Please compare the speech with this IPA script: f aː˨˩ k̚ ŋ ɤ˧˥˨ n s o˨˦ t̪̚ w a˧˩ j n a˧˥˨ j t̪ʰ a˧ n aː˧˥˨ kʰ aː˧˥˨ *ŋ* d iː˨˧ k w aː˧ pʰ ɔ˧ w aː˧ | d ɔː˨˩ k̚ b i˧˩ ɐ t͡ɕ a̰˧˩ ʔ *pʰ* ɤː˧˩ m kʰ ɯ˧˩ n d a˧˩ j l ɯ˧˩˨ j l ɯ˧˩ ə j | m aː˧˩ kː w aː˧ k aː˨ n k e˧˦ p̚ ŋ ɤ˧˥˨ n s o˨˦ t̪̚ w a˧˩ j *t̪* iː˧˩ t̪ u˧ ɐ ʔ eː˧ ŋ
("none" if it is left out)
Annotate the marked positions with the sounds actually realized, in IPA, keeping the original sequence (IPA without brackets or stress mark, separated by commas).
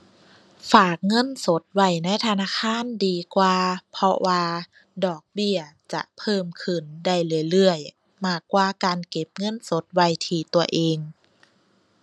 n, pʰ, t̪ʰ